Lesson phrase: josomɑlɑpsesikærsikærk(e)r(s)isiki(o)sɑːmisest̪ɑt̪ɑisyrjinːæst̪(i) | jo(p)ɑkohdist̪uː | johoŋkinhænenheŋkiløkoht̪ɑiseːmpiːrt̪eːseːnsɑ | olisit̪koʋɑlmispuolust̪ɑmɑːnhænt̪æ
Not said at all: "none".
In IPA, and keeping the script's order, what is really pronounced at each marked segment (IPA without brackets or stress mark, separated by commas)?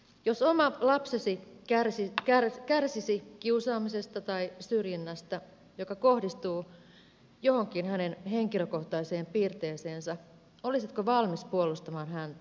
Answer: æ, s, u, æ, k